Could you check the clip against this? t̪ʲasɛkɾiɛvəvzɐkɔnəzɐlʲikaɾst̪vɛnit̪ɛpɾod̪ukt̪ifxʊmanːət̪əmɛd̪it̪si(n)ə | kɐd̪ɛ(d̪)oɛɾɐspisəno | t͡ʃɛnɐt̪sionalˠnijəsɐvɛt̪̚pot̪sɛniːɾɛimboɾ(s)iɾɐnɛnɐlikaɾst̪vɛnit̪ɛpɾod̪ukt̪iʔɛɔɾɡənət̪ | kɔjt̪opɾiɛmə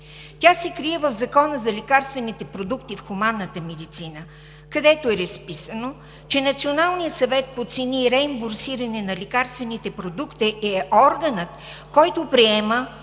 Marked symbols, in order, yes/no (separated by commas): yes, no, yes